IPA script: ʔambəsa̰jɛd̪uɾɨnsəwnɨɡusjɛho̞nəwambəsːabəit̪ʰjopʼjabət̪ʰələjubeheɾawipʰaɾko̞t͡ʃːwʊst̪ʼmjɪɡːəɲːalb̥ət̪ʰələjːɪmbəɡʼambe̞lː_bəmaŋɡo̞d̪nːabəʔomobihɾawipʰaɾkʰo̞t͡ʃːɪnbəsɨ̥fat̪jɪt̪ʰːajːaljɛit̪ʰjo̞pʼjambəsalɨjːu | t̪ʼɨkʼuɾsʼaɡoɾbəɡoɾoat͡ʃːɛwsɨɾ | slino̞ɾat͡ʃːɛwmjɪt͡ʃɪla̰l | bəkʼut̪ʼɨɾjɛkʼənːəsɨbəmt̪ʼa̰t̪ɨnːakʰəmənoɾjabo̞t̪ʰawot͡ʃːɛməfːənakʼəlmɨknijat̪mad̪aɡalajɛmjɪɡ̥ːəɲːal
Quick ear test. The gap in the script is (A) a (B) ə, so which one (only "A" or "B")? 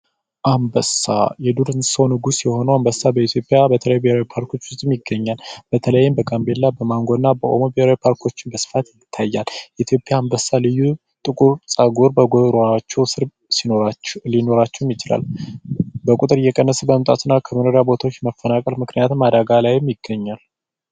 A